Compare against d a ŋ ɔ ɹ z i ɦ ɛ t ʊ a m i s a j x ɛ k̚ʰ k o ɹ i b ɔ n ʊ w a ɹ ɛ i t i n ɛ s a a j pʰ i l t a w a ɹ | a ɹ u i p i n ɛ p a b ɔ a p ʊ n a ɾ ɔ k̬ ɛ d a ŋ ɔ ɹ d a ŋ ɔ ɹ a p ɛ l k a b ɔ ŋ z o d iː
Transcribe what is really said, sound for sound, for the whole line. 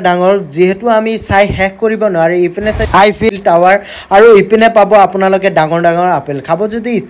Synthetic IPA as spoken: d a ŋ ɔ ɹ z i ɦ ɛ t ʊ a m i s a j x ɛ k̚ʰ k o ɹ i b ɔ n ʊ w a ɹ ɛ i p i n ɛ s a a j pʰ i l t a w a ɹ | a ɹ u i p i n ɛ p a b ɔ a p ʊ n a l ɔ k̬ ɛ d a ŋ ɔ ɹ d a ŋ ɔ ɹ a p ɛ l kʰ a b ɔ z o d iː